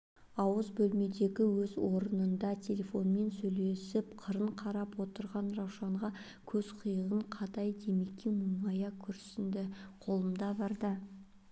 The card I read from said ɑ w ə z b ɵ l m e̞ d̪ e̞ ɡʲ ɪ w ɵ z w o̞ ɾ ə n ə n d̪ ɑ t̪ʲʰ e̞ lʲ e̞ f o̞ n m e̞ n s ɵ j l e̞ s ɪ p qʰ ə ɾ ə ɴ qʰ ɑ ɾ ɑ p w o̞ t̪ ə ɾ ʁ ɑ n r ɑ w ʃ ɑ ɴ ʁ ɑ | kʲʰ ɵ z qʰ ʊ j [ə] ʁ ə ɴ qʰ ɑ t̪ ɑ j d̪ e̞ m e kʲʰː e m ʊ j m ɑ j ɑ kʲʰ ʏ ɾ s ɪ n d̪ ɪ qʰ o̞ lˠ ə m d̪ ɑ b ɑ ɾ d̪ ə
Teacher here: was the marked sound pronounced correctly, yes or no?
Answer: yes